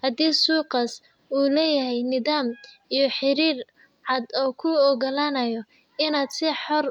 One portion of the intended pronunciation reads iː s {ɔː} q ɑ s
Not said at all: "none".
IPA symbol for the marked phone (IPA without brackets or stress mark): uː